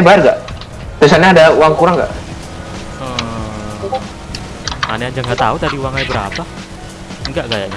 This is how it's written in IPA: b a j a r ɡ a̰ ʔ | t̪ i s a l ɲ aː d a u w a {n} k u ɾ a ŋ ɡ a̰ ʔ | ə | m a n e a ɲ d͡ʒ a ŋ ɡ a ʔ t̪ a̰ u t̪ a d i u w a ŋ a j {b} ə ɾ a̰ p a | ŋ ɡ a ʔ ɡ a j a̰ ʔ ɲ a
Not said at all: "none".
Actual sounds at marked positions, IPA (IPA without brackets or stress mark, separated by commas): ŋ, b